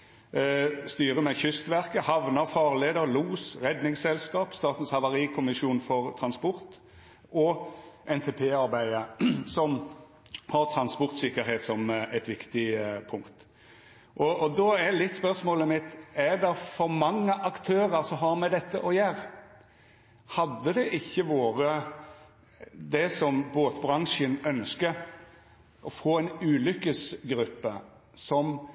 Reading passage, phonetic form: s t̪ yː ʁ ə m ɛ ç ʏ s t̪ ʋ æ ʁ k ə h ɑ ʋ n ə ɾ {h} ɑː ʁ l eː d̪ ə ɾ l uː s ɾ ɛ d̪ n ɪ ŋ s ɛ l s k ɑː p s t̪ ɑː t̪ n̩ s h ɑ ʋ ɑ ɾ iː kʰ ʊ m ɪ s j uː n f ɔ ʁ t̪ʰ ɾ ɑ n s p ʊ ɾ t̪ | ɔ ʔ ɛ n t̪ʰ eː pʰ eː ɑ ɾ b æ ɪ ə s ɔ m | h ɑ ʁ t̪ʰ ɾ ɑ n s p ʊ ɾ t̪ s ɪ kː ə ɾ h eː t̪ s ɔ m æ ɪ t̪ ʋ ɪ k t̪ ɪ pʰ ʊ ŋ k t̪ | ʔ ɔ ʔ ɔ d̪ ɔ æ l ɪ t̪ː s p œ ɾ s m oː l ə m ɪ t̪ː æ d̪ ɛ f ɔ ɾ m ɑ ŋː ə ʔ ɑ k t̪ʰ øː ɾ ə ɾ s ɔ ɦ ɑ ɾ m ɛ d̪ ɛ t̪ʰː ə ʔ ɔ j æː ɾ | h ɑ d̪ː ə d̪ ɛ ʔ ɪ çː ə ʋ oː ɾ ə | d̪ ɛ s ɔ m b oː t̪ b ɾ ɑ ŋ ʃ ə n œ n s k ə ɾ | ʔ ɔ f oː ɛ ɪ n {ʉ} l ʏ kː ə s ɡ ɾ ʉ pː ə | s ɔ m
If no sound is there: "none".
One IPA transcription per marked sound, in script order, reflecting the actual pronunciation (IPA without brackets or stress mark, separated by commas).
f, ʉː